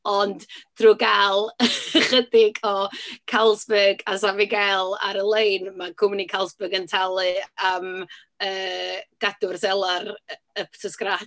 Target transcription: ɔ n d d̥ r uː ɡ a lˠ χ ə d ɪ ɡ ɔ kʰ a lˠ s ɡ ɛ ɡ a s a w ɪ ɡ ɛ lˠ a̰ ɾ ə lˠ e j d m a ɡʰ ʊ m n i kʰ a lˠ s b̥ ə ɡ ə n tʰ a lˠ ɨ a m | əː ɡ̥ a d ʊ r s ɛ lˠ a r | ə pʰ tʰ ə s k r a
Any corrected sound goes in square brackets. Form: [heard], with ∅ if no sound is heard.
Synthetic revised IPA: ɔ n d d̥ r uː ɡ a lˠ χ ə d ɪ ɡ ɔ kʰ a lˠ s [b] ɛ ɡ a s a [v] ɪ ɡ ɛ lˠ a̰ ɾ ə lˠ e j [n] m a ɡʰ ʊ m n i kʰ a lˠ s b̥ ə ɡ ə n tʰ a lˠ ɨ a m | əː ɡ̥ a d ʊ r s ɛ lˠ a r | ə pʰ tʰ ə s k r a